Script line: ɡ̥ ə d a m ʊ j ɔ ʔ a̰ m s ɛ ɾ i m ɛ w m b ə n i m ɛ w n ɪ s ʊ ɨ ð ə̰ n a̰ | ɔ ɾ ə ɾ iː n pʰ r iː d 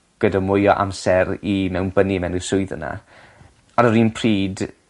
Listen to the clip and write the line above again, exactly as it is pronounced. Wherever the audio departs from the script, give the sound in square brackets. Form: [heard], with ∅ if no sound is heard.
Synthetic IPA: ɡ̥ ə d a m ʊ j ɔ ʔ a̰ m s ɛ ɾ i m ɛ w [n] b ə n i m ɛ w n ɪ s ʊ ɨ ð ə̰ n a̰ | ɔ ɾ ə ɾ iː n pʰ r iː d